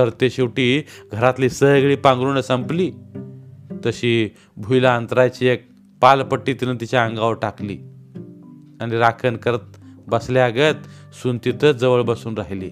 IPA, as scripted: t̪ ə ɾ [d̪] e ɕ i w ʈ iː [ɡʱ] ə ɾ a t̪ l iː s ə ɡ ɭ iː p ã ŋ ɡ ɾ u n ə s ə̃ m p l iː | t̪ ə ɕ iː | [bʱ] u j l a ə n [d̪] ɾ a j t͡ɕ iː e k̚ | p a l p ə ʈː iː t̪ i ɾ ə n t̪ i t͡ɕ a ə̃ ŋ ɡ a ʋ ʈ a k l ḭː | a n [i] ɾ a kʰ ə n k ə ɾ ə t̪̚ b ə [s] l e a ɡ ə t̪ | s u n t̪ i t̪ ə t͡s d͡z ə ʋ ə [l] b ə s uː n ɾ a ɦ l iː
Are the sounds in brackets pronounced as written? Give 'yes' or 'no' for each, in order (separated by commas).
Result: no, yes, yes, no, yes, yes, no